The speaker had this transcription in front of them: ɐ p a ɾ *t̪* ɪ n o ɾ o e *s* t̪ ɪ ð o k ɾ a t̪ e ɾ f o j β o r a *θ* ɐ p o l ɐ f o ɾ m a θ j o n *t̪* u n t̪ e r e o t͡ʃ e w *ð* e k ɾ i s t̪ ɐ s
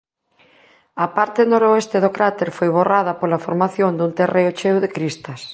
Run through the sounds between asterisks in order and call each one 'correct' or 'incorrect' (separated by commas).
correct, correct, incorrect, incorrect, correct